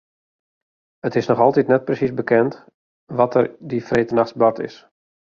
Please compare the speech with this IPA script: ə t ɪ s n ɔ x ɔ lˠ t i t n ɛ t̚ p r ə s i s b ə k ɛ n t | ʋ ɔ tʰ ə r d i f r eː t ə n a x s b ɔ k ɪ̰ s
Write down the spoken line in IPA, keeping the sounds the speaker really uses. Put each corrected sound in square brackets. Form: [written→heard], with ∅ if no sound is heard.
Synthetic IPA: ə t ɪ s n ɔ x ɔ lˠ t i t n ɛ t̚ p r ə s i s b ə k ɛ n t | ʋ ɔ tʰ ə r d i f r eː t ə n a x s b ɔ [k→t] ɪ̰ s